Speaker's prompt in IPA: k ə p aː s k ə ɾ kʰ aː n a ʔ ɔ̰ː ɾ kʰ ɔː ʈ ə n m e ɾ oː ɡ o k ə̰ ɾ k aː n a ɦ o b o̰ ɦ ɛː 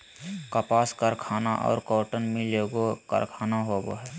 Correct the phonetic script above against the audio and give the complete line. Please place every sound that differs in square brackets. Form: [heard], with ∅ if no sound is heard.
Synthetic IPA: k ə p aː s k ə ɾ kʰ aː n a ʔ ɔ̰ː ɾ [k] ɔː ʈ ə n m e [l] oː ɡ o k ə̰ ɾ [kʰ] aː n a ɦ o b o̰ ɦ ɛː